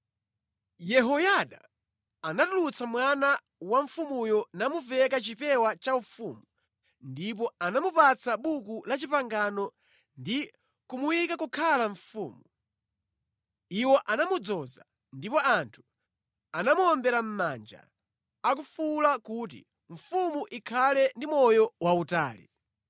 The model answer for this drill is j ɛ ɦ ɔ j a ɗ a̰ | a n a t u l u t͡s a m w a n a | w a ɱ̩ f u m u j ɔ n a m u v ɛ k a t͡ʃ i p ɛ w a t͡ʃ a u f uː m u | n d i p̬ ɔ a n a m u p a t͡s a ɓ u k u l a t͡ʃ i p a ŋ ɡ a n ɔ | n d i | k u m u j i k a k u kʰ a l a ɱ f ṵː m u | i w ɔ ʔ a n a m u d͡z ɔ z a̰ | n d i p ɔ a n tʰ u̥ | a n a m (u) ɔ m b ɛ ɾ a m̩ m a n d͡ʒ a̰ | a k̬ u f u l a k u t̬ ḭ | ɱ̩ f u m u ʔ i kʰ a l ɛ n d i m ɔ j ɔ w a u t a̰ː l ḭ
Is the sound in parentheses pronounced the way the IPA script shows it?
yes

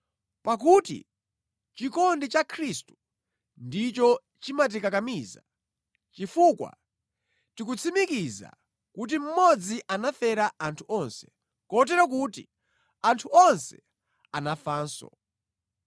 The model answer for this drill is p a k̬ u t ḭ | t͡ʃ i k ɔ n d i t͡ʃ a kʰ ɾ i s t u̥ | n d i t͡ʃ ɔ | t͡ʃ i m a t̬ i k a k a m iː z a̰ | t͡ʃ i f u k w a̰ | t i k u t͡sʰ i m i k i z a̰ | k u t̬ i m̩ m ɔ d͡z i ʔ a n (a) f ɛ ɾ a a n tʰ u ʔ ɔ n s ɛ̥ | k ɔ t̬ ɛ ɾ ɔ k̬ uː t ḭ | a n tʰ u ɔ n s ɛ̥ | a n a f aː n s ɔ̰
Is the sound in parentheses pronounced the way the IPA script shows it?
yes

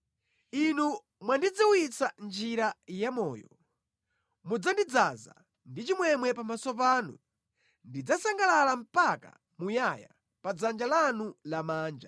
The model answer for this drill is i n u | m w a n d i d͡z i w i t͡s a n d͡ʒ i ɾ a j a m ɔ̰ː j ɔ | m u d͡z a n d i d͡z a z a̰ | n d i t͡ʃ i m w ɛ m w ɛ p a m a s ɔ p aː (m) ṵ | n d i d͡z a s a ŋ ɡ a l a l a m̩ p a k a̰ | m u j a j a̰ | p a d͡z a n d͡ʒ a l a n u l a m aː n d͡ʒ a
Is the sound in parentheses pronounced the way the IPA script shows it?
no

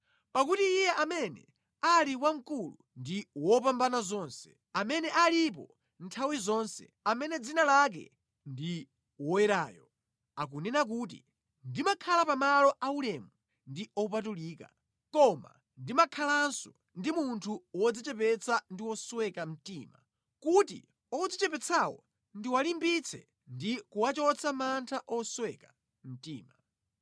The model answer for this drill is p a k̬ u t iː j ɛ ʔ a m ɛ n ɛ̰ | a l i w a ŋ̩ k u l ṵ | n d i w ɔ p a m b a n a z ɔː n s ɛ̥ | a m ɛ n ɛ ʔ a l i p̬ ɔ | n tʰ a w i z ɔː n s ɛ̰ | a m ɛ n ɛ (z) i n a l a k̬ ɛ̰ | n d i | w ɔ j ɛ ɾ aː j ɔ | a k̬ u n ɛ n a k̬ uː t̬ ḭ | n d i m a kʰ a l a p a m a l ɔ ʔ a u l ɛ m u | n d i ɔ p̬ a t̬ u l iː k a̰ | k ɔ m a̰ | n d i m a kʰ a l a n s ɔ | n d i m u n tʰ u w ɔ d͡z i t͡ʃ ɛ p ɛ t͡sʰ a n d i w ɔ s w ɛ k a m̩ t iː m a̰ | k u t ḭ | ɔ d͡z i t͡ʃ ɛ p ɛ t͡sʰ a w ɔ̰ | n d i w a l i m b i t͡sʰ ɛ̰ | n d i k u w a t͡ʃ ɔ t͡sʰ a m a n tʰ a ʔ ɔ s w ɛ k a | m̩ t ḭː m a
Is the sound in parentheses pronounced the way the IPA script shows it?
no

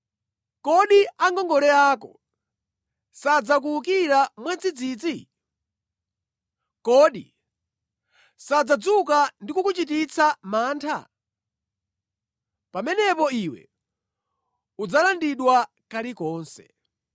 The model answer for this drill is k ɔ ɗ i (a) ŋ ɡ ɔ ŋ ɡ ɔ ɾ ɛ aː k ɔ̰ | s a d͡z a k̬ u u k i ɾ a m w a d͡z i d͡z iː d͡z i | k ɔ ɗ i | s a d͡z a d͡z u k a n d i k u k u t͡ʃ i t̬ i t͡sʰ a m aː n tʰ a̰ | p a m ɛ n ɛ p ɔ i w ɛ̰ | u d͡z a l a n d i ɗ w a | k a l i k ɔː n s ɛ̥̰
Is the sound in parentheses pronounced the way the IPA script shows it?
yes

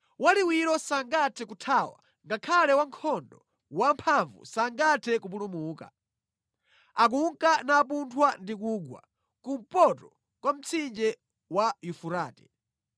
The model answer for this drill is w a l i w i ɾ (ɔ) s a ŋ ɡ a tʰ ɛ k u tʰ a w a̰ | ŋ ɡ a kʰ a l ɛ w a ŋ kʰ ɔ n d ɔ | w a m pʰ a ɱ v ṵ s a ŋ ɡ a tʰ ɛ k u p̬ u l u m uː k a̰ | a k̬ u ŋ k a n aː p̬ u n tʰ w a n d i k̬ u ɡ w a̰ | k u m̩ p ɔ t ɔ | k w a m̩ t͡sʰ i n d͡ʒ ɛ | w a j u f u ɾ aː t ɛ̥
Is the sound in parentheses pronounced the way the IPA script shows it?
yes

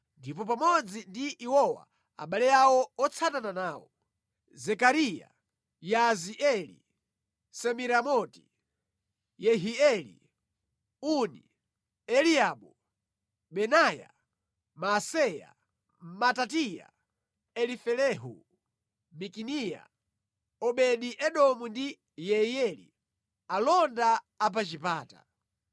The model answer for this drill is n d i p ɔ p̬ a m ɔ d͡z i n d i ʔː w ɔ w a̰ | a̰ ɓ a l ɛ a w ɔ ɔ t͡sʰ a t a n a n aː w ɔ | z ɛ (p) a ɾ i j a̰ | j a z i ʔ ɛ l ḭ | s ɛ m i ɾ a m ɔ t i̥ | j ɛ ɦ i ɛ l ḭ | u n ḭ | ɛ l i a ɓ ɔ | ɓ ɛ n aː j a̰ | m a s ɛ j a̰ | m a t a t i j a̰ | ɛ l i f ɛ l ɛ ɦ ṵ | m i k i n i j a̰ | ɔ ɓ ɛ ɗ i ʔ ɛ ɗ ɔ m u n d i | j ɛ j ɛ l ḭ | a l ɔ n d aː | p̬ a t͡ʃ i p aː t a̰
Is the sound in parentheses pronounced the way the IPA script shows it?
no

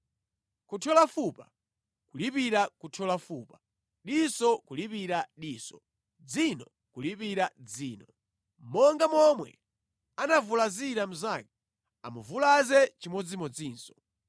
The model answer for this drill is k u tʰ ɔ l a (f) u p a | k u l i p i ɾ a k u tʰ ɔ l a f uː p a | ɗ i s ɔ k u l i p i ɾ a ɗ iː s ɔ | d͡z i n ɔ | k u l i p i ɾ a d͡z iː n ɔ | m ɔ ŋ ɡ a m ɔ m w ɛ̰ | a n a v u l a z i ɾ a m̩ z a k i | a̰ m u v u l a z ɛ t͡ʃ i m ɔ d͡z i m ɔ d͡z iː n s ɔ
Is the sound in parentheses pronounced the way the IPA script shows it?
yes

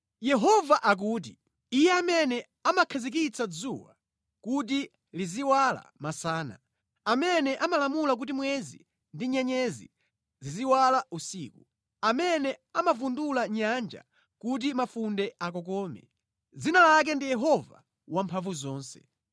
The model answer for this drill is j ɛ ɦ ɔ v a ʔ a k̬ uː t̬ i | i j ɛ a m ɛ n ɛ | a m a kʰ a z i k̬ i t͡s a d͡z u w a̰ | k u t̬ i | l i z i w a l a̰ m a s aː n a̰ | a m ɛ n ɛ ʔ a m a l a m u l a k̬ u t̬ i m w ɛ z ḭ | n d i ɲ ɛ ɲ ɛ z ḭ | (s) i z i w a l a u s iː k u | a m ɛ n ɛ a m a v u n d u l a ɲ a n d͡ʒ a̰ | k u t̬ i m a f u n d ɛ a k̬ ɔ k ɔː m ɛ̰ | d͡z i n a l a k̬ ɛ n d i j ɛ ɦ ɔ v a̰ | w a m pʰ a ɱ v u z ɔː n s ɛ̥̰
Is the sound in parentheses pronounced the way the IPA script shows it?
no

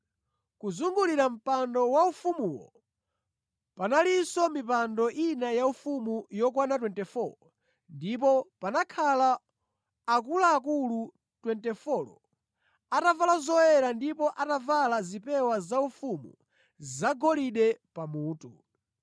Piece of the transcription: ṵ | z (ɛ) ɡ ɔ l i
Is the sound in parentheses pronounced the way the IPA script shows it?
no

